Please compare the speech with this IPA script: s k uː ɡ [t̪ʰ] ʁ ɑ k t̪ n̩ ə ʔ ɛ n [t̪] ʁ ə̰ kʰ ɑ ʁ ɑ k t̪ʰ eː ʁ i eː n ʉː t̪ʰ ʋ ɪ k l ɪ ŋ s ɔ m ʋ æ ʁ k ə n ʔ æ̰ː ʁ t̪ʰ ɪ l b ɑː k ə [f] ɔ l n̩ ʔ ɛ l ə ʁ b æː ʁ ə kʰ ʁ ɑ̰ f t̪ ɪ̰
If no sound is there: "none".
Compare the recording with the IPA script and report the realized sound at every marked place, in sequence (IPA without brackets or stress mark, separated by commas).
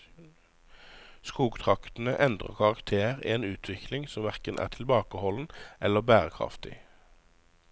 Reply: t̪ʰ, d̪, h